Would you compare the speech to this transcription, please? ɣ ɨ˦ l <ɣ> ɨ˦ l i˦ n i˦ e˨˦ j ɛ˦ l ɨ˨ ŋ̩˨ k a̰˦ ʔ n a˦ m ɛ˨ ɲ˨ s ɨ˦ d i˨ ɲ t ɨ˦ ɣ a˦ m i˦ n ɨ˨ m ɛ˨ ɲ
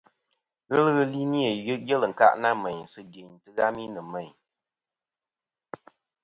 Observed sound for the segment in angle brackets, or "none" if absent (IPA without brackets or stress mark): ɣ